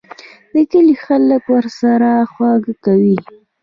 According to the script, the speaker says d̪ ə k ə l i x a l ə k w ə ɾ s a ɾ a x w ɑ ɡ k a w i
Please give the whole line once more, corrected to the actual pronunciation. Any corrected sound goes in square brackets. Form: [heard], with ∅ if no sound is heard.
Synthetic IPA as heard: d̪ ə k ə l i x a l ə k w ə ɾ s a ɾ a x w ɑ ɡ k a w i